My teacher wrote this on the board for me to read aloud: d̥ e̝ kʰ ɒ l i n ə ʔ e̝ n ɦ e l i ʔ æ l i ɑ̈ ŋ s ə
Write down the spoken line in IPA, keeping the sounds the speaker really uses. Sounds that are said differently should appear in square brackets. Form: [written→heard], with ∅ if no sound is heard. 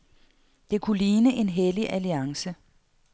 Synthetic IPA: d̥ e̝ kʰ [ɒ→u] l [i→iː] n ə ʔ e̝ n ɦ e l i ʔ æ l i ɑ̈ ŋ s ə